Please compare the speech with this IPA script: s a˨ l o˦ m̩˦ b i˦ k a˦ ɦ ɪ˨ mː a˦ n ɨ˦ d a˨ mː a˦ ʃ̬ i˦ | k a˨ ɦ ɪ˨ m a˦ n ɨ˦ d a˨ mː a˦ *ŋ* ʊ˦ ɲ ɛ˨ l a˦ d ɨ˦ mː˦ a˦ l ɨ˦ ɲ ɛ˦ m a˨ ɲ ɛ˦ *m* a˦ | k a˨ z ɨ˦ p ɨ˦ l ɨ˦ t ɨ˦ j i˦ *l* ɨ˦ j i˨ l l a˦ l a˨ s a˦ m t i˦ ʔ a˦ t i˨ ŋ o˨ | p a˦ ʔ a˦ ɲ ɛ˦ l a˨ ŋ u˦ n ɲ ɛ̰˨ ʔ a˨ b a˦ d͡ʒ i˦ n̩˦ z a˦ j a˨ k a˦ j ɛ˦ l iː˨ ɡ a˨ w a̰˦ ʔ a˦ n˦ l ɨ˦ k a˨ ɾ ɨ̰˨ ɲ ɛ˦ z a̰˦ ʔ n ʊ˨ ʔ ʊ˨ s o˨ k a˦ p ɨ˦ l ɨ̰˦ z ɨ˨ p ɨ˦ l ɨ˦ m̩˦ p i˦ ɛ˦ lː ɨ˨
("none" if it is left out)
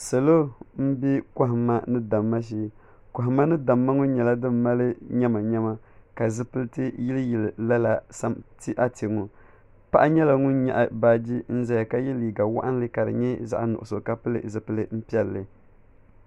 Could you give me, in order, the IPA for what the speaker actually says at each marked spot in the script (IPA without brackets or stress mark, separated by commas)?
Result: ŋ, m, l